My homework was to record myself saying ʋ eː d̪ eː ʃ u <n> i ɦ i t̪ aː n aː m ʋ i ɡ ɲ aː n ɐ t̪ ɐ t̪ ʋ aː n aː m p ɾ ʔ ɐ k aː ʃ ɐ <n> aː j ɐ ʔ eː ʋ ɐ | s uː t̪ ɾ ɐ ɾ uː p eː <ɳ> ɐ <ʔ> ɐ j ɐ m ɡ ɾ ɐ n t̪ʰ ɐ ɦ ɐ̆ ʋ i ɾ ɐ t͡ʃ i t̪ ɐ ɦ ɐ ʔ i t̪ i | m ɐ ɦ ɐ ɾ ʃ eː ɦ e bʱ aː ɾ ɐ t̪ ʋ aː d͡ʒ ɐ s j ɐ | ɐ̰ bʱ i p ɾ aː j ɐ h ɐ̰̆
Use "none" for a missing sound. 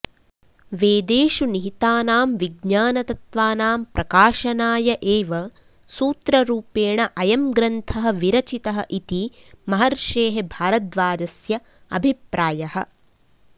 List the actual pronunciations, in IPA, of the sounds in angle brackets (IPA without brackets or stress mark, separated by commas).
n, n, ɳ, ʔ